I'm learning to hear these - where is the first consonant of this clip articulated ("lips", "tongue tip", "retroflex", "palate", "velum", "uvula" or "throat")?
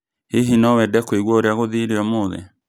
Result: throat